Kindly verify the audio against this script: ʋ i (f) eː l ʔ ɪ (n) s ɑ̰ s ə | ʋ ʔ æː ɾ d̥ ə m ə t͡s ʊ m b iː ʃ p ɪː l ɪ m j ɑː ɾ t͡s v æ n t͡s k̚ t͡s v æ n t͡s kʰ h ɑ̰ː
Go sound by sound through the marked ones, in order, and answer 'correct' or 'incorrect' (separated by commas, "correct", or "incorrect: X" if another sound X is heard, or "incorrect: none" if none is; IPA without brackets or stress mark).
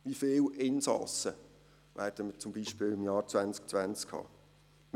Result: correct, correct